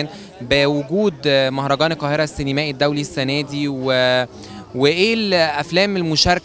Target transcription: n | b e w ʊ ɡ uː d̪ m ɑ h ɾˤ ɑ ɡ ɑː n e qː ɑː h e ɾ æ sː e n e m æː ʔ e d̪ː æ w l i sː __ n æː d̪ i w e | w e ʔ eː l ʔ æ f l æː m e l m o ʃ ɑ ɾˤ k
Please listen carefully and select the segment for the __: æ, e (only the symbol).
æ